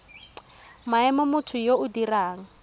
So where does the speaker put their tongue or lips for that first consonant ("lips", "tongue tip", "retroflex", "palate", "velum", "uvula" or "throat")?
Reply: lips